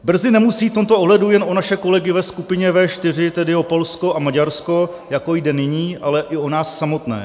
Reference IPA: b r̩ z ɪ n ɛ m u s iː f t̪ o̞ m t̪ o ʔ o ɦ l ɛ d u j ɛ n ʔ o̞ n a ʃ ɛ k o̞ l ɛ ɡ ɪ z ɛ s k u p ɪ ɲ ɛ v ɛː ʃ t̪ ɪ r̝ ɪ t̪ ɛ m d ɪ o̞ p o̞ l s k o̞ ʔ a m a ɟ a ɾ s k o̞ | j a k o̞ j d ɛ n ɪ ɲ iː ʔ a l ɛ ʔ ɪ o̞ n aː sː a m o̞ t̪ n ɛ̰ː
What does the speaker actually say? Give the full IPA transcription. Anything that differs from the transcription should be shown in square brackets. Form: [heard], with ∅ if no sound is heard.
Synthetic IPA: b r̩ z ɪ n ɛ m u s iː f t̪ o̞ m t̪ o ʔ o ɦ l ɛ d u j ɛ n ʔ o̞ n a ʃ ɛ k o̞ l ɛ ɡ ɪ [v] ɛ s k u p ɪ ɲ ɛ v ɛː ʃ t̪ ɪ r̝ ɪ t̪ ɛ [∅] d ɪ o̞ p o̞ l s k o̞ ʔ a m a ɟ a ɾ s k o̞ | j a k o̞ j d ɛ n ɪ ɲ iː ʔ a l ɛ ʔ ɪ o̞ n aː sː a m o̞ t̪ n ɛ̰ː

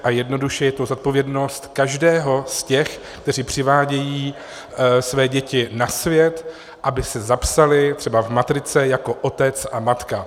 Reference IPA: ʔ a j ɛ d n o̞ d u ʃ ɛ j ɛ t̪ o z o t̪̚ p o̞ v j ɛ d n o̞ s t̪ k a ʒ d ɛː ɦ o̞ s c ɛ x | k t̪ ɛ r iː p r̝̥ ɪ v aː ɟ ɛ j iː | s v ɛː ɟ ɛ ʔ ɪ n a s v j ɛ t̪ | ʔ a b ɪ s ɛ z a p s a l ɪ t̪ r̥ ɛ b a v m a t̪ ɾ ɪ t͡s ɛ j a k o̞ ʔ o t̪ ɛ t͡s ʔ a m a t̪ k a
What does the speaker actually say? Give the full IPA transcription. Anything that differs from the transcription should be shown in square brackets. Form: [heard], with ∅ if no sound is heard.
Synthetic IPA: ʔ a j ɛ d n o̞ d u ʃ ɛ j ɛ t̪ o z o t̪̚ p o̞ v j ɛ d n o̞ s t̪ k a ʒ d ɛː ɦ o̞ s c ɛ x | k t̪ ɛ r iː p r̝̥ ɪ v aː ɟ ɛ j iː | s v ɛː ɟ ɛ [c] ɪ n a s v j ɛ t̪ | ʔ a b ɪ s ɛ z a p s a l ɪ t̪ r̥ ɛ b a v m a t̪ ɾ ɪ t͡s ɛ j a k o̞ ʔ o t̪ ɛ t͡s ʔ a m a t̪ k a

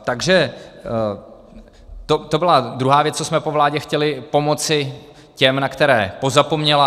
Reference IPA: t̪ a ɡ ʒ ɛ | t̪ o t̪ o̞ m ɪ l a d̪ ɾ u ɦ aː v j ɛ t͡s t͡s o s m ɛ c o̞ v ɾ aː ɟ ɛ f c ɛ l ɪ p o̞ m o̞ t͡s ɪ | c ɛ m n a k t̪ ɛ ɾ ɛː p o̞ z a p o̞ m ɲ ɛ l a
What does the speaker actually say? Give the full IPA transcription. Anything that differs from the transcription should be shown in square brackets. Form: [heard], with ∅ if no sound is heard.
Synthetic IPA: t̪ a ɡ ʒ ɛ | t̪ o t̪ o̞ [b] ɪ l a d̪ ɾ u ɦ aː v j ɛ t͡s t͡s o s m ɛ [p] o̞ v [l] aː ɟ ɛ [x] c ɛ l ɪ p o̞ m o̞ t͡s ɪ | c ɛ m n a k t̪ ɛ ɾ ɛː p o̞ z a p o̞ m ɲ ɛ l a

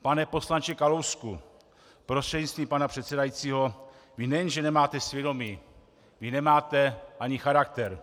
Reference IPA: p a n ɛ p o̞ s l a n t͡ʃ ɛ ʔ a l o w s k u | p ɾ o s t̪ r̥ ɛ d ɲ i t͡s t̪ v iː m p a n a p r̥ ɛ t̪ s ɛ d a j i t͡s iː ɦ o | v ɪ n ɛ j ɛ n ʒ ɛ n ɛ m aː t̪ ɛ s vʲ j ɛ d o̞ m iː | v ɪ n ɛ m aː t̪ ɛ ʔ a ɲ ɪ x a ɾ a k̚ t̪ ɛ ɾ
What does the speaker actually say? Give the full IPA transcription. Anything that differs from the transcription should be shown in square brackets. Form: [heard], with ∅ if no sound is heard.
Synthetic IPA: p a n ɛ p o̞ s l a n t͡ʃ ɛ [k] a l o w s k u | p ɾ o s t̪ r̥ ɛ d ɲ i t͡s t̪ v iː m p a n a p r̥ ɛ t̪ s ɛ d a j i t͡s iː ɦ o | v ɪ n ɛ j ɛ n ʒ ɛ n ɛ m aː t̪ ɛ s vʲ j ɛ d o̞ m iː | v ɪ n ɛ m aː t̪ ɛ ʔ a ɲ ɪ x a ɾ a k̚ t̪ ɛ ɾ

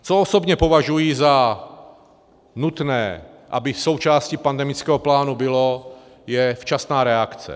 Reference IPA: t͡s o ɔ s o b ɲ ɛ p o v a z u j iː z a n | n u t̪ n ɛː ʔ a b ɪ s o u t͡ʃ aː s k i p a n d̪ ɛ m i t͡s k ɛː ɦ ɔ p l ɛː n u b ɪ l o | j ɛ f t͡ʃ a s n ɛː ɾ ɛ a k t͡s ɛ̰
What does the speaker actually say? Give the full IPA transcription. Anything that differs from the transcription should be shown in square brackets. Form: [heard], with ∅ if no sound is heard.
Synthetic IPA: t͡s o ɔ s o b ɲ ɛ p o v a [ʒ] u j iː z a [∅] | n u t̪ n ɛː ʔ a b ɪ s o [w] t͡ʃ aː s [c] i p a n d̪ ɛ m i t͡s k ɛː ɦ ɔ p l [aː] n u b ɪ l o | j ɛ f t͡ʃ a s n [aː] ɾ ɛ a k t͡s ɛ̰

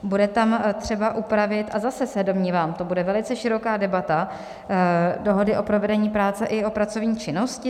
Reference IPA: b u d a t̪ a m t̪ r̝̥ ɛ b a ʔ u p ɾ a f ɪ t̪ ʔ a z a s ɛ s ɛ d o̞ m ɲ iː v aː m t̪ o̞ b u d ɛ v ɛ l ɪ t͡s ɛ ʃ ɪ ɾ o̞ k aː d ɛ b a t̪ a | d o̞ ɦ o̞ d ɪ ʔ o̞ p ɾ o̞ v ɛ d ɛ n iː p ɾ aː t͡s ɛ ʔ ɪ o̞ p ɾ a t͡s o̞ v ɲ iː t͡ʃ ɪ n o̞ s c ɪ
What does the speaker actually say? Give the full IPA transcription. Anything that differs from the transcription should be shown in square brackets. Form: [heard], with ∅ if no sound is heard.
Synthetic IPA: b u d [ɛ] t̪ a m t̪ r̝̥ ɛ b a ʔ u p ɾ a [v] ɪ t̪ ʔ a z a s ɛ s ɛ d o̞ m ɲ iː v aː m t̪ o̞ b u d ɛ v ɛ l ɪ t͡s ɛ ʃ ɪ ɾ o̞ k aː d ɛ b a t̪ a | d o̞ ɦ o̞ d ɪ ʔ o̞ p ɾ o̞ v ɛ d ɛ [ɲ] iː p ɾ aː t͡s ɛ ʔ ɪ o̞ p ɾ a t͡s o̞ v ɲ iː t͡ʃ ɪ n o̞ s c ɪ

